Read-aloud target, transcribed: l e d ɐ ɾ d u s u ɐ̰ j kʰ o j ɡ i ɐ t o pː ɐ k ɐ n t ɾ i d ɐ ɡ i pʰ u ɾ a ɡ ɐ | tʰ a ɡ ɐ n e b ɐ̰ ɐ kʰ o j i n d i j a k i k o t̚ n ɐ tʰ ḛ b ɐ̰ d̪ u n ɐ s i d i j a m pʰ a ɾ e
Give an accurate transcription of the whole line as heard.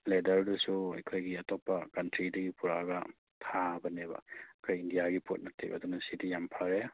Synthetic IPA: l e d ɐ ɾ d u s u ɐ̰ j kʰ o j ɡ i ɐ t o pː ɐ k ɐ n t ɾ i d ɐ ɡ i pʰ u ɾ a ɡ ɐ | tʰ a b ɐ n e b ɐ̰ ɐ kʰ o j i n d i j a ɡ i p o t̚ n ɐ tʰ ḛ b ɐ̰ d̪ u n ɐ s i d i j a m pʰ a ɾ e

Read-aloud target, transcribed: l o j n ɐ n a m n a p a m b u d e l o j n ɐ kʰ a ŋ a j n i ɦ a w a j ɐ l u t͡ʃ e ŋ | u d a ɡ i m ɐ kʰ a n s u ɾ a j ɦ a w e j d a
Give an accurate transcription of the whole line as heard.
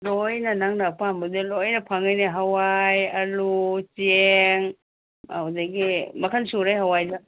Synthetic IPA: l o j n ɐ n a ŋ n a p a m b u d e l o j n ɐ pʰ a ŋ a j n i ɦ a w a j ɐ l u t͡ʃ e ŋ | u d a ɡ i m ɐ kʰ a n s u ɾ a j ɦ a w a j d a

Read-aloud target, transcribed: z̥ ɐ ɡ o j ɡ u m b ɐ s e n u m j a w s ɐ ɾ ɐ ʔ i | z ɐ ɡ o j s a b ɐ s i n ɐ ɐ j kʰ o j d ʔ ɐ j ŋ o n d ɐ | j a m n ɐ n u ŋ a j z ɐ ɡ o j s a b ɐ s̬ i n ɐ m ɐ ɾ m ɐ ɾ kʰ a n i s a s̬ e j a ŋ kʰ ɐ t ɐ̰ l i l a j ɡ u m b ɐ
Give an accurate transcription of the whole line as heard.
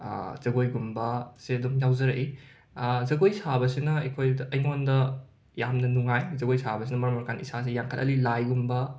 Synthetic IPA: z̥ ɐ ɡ o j ɡ u m b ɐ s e d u m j a w z ɐ ɾ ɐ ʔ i | z ɐ ɡ o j s a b ɐ s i n ɐ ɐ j kʰ o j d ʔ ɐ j ŋ o n d ɐ | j a m n ɐ n u ŋ a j z ɐ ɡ o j s a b ɐ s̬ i n ɐ m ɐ ɾ m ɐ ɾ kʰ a n i s a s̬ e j a ŋ kʰ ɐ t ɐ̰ l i l a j ɡ u m b ɐ

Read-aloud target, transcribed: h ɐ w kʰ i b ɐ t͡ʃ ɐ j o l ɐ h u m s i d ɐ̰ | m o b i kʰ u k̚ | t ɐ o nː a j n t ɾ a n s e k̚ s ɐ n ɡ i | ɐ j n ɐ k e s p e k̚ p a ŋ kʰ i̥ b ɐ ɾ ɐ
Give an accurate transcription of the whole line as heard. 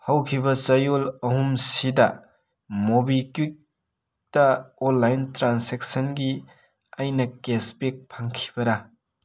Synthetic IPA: h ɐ w kʰ i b ɐ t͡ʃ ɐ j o l ɐ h u m s i d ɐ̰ | m o b i k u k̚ | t ɐ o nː a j n t ɾ a n s e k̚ s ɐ n ɡ i | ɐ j n ɐ k e s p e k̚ pʰ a ŋ kʰ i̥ b ɐ ɾ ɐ

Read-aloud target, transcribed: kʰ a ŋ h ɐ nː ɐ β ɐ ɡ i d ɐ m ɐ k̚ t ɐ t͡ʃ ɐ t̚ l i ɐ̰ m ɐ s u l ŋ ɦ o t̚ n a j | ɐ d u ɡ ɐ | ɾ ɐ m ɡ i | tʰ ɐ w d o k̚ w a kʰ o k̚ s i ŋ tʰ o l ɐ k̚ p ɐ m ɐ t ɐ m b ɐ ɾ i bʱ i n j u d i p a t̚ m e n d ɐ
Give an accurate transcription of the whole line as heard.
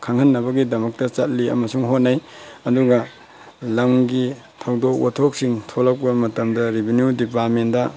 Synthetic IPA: kʰ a ŋ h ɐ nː ɐ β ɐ ɡ i d ɐ m ɐ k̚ t ɐ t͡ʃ ɐ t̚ l i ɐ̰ m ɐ s u ŋ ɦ o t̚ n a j | ɐ d u ɡ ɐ | l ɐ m ɡ i | tʰ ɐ w d o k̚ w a tʰ o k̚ s i ŋ tʰ o l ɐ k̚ p ɐ m ɐ t ɐ m d ɐ ɾ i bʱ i n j u d i p a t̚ m e n d ɐ

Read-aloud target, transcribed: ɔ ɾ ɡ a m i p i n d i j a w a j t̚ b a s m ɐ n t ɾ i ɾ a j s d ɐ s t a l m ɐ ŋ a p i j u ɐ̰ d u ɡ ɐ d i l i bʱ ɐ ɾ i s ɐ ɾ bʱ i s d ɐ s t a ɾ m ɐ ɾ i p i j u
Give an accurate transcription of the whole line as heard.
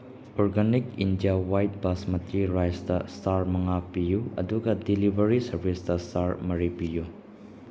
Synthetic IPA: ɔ ɾ ɡ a n i k i n d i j a w a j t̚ b a s m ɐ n t ɾ i ɾ a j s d ɐ s t a ɾ m ɐ ŋ a p i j u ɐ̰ d u ɡ ɐ d i l i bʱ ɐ ɾ i s ɐ ɾ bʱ i s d ɐ s t a ɾ m ɐ ɾ i p i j u

